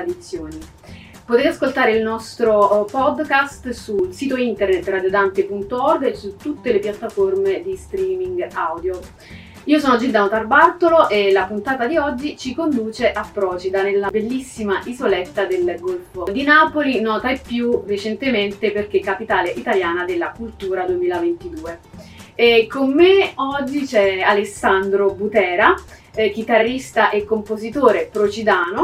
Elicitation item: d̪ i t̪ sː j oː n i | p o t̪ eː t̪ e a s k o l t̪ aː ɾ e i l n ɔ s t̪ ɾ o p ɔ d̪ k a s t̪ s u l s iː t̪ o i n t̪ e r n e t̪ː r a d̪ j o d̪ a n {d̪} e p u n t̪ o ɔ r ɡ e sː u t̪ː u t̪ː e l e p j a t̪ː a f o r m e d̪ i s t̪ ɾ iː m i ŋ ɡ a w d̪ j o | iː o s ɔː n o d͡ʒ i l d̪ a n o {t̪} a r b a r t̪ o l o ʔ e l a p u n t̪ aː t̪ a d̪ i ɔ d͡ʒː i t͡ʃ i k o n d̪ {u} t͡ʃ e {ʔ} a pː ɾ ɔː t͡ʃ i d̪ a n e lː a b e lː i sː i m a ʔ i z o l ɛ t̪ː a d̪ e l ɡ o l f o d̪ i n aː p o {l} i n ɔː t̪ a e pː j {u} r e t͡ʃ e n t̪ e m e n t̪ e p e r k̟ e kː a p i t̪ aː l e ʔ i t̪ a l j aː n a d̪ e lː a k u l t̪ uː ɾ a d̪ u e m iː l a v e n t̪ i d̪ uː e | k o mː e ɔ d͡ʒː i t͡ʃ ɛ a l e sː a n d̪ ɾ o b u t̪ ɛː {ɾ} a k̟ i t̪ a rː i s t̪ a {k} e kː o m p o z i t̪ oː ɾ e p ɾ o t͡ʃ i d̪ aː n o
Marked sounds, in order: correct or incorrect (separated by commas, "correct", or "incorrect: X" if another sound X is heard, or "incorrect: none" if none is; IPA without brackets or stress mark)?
incorrect: t̪, correct, incorrect: uː, correct, correct, correct, correct, incorrect: ʔ